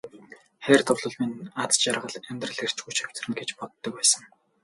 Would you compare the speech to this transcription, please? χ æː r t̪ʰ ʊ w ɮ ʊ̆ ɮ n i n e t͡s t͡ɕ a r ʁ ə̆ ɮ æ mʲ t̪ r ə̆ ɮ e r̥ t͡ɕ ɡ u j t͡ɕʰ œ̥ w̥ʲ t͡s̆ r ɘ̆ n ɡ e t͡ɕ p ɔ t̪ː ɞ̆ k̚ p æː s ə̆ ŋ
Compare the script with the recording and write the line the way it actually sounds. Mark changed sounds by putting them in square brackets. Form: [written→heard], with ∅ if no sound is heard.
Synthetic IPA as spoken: χ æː r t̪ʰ ʊ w ɮ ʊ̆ ɮ [n→m] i n [e→a] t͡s t͡ɕ a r ʁ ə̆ ɮ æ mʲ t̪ r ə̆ ɮ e r̥ t͡ɕ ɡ u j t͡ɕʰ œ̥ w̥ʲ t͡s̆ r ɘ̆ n ɡ e t͡ɕ p ɔ t̪ː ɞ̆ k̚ p æː s ə̆ ŋ

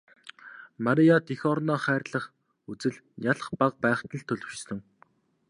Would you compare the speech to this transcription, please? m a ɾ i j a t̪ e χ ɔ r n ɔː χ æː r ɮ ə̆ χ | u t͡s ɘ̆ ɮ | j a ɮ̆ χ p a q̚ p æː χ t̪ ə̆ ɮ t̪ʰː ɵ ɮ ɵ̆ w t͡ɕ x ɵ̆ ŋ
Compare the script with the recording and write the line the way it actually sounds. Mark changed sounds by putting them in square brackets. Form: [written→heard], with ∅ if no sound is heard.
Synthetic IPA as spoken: m a ɾ i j a t̪ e [χ→x] ɔ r n ɔː χ æː r ɮ ə̆ χ | u t͡s ɘ̆ ɮ | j a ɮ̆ χ p a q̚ p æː χ t̪ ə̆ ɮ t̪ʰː ɵ ɮ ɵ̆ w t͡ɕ [x→s] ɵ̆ ŋ

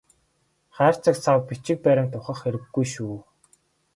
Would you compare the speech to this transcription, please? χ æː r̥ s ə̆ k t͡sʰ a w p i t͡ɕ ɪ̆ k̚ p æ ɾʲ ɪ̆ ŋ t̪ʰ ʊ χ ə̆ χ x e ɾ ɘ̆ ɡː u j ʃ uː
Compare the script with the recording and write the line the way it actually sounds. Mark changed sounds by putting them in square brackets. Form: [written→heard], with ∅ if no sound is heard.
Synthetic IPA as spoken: χ æː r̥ [s→t͡s] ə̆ k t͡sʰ a w p i t͡ɕ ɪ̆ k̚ p æ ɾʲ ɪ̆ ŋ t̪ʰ ʊ χ ə̆ χ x e ɾ ɘ̆ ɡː u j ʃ uː

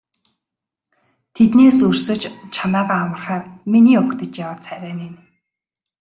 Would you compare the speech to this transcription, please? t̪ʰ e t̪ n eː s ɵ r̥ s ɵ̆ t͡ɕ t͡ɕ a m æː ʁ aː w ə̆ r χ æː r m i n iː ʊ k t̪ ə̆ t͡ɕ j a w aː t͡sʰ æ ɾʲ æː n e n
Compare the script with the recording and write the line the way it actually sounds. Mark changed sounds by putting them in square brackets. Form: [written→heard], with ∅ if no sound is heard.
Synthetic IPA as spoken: t̪ʰ e t̪ n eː s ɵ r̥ s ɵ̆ t͡ɕ [t͡ɕ→t͡ɕʰ] a m æː ʁ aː w ə̆ r χ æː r m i n iː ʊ k t̪ ə̆ t͡ɕ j a w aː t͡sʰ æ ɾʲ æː n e n

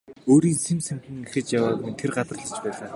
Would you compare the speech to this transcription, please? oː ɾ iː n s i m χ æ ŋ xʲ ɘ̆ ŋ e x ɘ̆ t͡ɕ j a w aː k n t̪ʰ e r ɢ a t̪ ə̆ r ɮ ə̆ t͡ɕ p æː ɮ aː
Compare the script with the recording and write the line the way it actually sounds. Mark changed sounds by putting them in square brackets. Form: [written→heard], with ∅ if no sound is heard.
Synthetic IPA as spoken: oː ɾ iː n s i m [χ→s] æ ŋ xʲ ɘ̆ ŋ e x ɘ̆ t͡ɕ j a w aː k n t̪ʰ e r ɢ a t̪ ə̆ r ɮ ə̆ t͡ɕ p æː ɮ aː

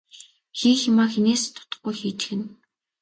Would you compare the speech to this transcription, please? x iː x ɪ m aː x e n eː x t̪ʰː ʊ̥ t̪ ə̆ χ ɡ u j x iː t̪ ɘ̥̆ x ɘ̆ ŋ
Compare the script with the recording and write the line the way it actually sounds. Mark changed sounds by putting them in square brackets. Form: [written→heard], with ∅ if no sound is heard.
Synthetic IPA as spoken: x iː x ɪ m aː x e n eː [x→s] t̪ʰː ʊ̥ t̪ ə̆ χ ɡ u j x iː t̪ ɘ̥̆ x ɘ̆ [ŋ→n]

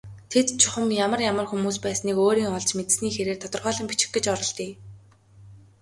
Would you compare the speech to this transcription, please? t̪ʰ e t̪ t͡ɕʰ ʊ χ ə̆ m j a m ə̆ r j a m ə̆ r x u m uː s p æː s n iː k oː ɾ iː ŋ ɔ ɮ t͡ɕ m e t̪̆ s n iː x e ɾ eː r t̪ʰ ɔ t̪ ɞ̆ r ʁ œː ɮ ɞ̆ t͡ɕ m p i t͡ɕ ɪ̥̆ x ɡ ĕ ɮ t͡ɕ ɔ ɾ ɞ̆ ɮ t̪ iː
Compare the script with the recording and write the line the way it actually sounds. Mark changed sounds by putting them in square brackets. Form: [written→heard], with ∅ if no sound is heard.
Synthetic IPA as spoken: t̪ʰ e t̪ t͡ɕʰ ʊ χ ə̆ m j a m ə̆ r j a m ə̆ r x u m uː s p æː s n iː k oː ɾ iː ŋ ɔ ɮ t͡ɕ m e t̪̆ s n iː x e ɾ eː r t̪ʰ ɔ t̪ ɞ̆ r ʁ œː ɮ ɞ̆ [t͡ɕ→∅] m p i t͡ɕ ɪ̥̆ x ɡ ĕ [ɮ→∅] t͡ɕ ɔ ɾ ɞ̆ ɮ t̪ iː

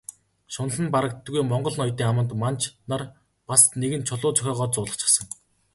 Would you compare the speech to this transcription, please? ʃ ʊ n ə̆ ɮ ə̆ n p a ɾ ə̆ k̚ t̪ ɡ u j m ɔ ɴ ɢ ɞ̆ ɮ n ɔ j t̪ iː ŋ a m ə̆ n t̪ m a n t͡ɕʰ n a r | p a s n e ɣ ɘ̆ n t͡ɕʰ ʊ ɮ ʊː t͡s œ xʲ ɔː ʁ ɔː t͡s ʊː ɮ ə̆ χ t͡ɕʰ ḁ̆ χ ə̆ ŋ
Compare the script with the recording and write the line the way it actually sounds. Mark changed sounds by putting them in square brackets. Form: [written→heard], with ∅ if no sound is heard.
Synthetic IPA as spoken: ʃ ʊ n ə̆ ɮ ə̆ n p a ɾ ə̆ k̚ t̪ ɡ u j m ɔ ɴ ɢ ɞ̆ ɮ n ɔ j t̪ iː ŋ a m ə̆ n t̪ m a n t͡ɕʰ n a r | p a s n e ɣ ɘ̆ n t͡ɕʰ ʊ ɮ ʊː t͡s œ xʲ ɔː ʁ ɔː t͡s ʊː ɮ ə̆ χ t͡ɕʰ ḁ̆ [χ→s] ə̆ ŋ

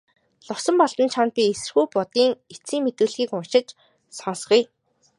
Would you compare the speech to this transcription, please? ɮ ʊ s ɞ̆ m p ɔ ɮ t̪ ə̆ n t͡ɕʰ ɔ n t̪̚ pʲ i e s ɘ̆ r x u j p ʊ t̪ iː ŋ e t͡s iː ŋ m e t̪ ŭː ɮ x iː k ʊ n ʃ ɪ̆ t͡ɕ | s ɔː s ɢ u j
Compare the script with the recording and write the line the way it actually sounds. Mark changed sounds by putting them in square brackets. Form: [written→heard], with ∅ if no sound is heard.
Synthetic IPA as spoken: ɮ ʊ s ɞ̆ m p ɔ ɮ t̪ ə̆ n t͡ɕʰ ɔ n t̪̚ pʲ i e s ɘ̆ r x u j p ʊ t̪ iː ŋ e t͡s iː ŋ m e t̪ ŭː ɮ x iː k ʊ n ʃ ɪ̆ t͡ɕ | s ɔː s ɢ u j

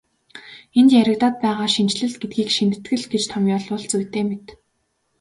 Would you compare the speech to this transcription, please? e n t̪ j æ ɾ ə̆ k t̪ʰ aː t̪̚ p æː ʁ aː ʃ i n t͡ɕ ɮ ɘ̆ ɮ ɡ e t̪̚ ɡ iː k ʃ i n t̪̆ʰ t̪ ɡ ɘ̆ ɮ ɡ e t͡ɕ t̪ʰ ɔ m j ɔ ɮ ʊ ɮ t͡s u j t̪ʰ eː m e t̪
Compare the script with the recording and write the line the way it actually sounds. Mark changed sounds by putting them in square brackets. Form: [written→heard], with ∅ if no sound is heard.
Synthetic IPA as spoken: e n t̪ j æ ɾ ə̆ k [t̪ʰ→t̪] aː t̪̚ p æː ʁ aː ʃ i n t͡ɕ ɮ ɘ̆ ɮ ɡ e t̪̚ ɡ iː k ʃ i n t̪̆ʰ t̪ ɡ ɘ̆ ɮ ɡ e t͡ɕ t̪ʰ ɔ m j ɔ ɮ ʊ ɮ t͡s u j [t̪ʰ→t̪] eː m e t̪

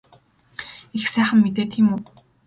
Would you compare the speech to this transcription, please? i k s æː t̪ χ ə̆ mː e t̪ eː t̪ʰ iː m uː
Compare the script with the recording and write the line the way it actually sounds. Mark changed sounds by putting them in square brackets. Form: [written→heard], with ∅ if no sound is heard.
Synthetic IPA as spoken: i [k→x] s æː [t̪→∅] χ ə̆ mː e t̪ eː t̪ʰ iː m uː

